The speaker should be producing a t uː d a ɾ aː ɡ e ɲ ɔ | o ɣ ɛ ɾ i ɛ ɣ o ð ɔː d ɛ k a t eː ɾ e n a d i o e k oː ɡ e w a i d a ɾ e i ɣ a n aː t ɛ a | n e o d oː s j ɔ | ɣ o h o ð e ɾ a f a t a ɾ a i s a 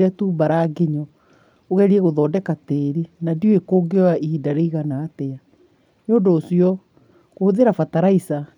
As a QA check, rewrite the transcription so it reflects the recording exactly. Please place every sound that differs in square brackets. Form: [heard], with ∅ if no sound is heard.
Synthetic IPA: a t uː [b] a ɾ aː ɡ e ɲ ɔ | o ɣ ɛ ɾ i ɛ ɣ o ð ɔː d ɛ k a t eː ɾ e n a d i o e k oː ɡ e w a i d a ɾ e i ɣ a n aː t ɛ a | n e o d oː s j ɔ | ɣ o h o ð e ɾ a f a t a ɾ a i s a